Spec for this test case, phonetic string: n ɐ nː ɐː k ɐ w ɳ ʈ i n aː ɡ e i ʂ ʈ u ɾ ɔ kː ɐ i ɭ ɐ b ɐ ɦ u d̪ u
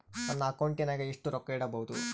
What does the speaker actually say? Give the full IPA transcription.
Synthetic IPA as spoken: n ɐ nː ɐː k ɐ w ɳ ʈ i n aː ɡ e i ʂ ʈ u ɾ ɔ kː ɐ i ɽ ɐ b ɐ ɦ u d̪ u